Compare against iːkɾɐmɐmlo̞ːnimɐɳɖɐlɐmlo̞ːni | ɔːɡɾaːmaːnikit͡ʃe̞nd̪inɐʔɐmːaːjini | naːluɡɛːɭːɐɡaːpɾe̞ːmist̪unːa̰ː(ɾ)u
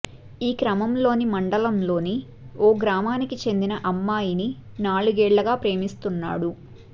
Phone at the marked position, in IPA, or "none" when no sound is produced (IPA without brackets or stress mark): ɽ